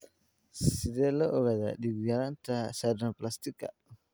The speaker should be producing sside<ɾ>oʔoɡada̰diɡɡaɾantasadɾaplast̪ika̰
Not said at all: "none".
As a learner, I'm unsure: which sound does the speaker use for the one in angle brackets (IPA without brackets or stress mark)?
l